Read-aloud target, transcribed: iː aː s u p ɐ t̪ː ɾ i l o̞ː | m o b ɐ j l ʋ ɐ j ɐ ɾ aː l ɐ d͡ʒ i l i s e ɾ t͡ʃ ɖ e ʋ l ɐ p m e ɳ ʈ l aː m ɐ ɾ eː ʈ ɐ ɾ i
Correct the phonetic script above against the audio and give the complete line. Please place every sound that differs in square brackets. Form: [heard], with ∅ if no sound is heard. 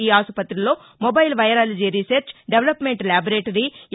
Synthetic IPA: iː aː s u p ɐ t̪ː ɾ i l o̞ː | m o b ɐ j l ʋ ɐ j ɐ ɾ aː l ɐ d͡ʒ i [ɾ] i s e ɾ t͡ʃ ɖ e ʋ l ɐ p m e ɳ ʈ l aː [b] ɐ ɾ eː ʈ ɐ ɾ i